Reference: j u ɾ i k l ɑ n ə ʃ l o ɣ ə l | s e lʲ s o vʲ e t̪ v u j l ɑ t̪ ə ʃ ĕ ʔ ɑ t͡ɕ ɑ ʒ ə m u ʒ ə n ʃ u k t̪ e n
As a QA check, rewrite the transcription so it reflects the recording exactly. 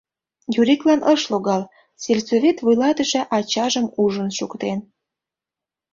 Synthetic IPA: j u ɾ i k l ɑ n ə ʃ l o ɣ ɑ l | s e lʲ s o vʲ e t̪ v u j l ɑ t̪ ə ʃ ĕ ʔ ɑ t͡ɕ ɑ ʒ ə m u ʒ ə n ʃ u k t̪ e n